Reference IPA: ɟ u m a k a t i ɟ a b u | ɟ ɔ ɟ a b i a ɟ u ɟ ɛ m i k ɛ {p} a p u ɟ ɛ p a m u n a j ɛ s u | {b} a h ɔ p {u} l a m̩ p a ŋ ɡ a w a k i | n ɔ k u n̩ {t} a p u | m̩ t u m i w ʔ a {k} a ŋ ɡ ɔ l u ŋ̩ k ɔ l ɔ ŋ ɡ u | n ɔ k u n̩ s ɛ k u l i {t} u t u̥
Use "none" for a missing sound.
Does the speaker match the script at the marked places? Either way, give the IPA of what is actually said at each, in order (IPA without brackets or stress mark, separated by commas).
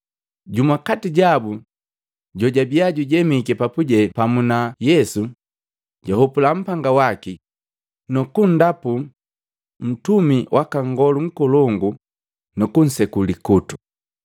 p, ɟ, u, d, k, k